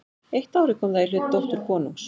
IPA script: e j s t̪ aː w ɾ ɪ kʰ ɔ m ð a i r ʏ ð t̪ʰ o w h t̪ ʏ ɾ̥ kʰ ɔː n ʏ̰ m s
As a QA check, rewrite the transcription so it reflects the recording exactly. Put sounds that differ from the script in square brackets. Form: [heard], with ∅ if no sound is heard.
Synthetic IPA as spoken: e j [h] t̪ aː w ɾ ɪ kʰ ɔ m ð a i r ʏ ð [t̪] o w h t̪ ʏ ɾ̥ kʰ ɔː n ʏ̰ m s